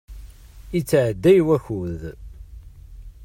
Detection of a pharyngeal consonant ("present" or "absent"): present